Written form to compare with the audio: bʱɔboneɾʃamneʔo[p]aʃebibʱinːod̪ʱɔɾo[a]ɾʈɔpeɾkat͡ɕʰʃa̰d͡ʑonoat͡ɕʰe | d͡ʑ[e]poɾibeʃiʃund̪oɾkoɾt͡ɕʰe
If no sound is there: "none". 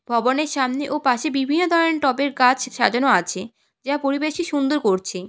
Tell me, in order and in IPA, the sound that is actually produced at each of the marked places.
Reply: p, e, a

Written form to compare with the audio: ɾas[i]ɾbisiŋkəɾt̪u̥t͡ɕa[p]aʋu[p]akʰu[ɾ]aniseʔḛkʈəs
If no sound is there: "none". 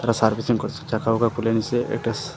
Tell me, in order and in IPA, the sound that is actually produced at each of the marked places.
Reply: a, k, k, l

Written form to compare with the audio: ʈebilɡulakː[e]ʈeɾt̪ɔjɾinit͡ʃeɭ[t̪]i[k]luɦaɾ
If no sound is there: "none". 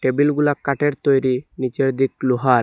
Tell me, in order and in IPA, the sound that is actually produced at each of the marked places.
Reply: a, d̪, k

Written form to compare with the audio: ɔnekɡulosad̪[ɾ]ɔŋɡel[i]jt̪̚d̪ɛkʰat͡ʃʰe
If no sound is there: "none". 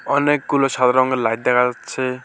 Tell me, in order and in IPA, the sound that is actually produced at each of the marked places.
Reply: ɾ, a

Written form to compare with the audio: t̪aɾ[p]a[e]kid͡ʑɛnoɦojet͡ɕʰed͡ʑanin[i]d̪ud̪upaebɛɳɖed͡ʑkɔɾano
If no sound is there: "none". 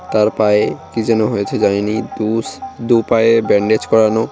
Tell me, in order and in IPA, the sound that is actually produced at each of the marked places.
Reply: p, e, i

